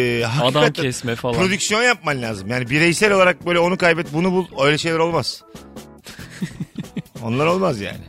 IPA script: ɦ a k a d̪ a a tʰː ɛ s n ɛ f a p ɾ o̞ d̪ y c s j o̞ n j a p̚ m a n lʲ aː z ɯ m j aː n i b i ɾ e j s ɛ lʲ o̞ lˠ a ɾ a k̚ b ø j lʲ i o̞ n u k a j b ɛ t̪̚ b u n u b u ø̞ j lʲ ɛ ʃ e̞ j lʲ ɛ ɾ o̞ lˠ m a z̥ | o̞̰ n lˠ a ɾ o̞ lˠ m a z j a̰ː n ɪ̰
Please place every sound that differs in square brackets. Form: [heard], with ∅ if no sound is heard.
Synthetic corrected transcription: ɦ a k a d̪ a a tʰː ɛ s [m] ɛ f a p ɾ o̞ d̪ y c s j o̞ n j a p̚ m a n lʲ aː z ɯ m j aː n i b i ɾ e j s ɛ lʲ o̞ lˠ a ɾ a k̚ b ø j lʲ [ɛ] o̞ n u k a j b ɛ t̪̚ b u n u b u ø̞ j lʲ ɛ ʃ e̞ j lʲ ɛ ɾ o̞ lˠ m a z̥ | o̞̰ n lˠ a ɾ o̞ lˠ m a z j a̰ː n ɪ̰